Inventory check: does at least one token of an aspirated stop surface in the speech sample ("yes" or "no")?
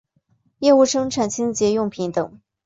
yes